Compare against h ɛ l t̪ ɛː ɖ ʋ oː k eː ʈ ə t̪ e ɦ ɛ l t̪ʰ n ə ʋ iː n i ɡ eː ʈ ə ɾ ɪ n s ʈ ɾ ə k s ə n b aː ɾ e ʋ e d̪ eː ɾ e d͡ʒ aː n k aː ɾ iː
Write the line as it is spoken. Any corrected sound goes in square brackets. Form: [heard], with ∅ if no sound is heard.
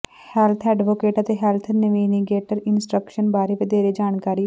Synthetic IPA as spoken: h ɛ l [t̪ʰ] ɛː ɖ ʋ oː k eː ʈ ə t̪ e ɦ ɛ l t̪ʰ n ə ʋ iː n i ɡ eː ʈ ə ɾ ɪ n s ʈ ɾ ə k [ʃ] ə n b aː ɾ e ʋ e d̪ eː ɾ e d͡ʒ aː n k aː ɾ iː